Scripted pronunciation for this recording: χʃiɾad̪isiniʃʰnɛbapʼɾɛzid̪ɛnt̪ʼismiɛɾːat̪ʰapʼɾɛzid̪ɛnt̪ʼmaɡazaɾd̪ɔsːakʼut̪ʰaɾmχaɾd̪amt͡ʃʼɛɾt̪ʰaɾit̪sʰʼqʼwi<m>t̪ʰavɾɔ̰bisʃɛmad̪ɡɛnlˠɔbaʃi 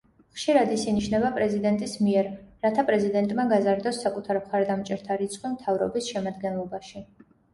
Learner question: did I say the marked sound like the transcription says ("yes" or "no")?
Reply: yes